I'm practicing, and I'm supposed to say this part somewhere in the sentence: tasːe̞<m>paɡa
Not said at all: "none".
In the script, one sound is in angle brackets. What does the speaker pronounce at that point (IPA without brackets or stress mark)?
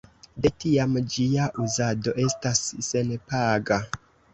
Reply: n